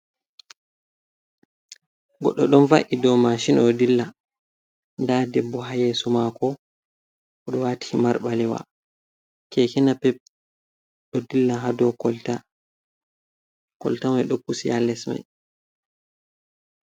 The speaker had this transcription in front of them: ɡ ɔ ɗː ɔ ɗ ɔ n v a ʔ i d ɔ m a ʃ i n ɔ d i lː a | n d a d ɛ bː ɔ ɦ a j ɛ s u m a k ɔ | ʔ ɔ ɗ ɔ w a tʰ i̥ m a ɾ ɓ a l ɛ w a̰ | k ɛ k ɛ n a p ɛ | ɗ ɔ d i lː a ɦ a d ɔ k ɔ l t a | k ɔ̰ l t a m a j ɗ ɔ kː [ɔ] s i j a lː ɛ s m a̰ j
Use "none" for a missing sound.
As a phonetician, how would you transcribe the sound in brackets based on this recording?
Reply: u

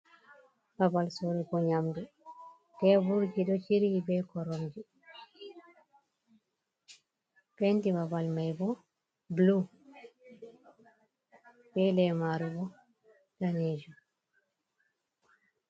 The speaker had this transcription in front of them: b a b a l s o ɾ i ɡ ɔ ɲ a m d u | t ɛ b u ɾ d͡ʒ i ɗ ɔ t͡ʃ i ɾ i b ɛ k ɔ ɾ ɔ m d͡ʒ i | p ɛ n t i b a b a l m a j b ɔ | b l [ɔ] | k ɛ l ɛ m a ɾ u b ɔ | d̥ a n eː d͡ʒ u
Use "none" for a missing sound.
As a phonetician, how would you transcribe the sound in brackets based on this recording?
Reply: u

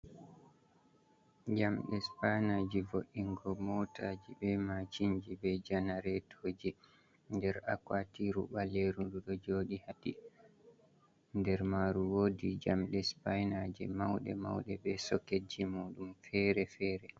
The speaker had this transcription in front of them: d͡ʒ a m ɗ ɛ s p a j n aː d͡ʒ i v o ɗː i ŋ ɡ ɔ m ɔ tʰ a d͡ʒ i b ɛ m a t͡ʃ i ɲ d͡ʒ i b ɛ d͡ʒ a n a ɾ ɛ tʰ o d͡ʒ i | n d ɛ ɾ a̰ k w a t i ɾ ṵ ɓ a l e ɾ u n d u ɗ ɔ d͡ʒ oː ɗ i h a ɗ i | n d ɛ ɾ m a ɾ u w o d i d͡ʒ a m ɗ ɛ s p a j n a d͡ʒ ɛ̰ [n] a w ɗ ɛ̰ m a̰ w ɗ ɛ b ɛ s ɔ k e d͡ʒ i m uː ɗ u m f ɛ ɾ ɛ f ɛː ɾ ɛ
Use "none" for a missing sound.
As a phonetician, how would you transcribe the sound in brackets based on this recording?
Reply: m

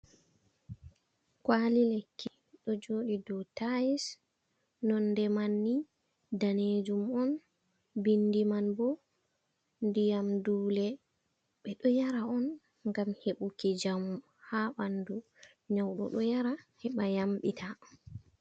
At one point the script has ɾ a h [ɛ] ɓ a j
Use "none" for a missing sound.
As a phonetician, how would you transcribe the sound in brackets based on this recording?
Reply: ɛ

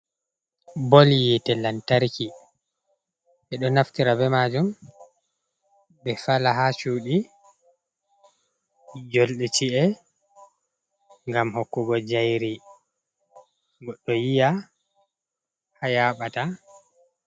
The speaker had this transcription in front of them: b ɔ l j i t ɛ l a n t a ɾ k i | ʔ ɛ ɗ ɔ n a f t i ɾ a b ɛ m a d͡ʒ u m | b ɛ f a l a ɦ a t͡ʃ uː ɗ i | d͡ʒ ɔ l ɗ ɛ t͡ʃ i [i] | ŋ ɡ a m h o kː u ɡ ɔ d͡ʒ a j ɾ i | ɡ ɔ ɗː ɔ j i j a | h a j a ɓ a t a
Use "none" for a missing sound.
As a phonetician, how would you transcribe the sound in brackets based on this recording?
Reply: ɛ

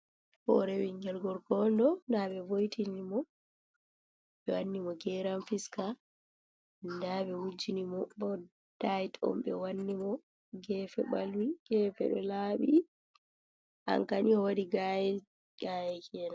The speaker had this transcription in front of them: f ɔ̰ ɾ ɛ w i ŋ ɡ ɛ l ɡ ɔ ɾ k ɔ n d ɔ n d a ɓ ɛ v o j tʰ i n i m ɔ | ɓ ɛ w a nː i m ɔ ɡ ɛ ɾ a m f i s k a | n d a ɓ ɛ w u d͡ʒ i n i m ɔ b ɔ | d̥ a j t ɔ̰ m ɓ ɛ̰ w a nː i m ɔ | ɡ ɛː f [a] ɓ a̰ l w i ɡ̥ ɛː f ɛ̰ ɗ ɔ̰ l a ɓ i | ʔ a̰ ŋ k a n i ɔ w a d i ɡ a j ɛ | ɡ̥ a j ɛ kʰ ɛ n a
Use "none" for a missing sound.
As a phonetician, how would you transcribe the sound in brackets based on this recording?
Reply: ɛ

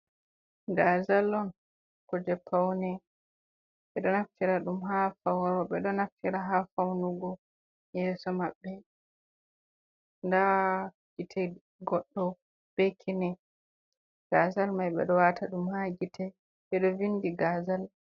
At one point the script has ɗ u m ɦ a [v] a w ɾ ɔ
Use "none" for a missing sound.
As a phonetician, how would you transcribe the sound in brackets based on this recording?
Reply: f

